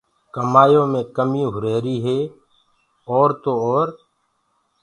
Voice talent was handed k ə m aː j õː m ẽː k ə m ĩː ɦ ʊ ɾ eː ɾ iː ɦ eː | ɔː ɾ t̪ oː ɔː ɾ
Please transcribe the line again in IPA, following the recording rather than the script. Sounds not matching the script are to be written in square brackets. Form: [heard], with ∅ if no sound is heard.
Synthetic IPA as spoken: k ə m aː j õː m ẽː k ə m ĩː ɦ ʊ ɾ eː ɾ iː ɦ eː | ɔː ɾ t̪ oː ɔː ɾ